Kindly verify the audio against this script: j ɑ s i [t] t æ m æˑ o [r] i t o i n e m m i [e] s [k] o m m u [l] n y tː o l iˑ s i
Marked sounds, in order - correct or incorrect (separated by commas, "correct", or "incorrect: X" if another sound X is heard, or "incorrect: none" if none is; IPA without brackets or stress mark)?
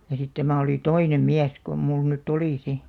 correct, incorrect: l, incorrect: æ, correct, correct